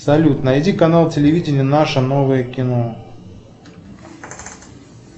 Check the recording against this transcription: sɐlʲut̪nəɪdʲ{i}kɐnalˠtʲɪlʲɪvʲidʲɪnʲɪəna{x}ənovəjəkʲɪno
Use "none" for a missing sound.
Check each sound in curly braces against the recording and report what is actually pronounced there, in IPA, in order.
i, ʂ

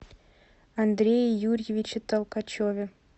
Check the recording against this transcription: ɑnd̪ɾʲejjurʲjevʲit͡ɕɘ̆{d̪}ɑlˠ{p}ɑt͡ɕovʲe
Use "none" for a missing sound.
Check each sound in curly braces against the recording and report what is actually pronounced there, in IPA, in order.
t̪, k

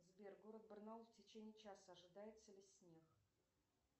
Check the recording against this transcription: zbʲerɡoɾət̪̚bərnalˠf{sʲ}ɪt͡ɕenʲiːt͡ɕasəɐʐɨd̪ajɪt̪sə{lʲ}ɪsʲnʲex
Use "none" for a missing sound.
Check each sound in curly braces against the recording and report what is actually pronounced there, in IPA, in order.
tʲ, lʲ

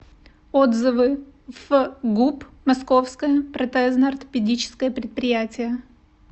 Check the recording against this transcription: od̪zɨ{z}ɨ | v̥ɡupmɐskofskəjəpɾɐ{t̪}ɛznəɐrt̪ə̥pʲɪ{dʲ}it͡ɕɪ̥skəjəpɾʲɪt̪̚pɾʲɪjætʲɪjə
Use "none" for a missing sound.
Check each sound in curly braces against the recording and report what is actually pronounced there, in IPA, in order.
v, t̪, dʲ

